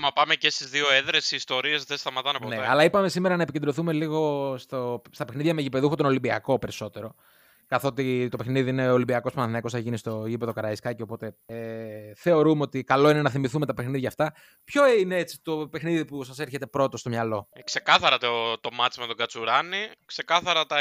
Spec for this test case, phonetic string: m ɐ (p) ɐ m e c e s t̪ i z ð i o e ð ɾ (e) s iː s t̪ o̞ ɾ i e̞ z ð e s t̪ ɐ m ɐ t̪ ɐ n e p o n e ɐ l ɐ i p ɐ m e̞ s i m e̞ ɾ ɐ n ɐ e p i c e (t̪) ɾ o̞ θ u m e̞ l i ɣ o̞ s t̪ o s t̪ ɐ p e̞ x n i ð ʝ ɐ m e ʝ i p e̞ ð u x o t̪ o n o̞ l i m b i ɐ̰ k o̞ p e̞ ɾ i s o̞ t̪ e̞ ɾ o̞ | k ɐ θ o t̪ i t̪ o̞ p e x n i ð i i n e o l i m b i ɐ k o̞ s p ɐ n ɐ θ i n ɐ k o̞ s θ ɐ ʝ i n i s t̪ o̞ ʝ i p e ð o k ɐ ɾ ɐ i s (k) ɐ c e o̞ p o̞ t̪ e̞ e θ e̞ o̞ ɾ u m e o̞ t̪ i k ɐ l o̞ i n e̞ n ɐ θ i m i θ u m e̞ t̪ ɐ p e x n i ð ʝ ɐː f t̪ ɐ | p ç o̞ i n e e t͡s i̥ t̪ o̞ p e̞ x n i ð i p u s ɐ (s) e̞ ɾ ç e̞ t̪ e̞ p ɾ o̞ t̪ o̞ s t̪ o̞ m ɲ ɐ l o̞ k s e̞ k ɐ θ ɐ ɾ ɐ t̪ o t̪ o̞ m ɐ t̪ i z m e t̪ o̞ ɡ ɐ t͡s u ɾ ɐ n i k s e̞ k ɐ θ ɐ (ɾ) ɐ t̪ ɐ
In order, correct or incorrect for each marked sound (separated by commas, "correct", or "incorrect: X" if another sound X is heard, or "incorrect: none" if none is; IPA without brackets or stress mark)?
correct, correct, incorrect: d̪, correct, correct, correct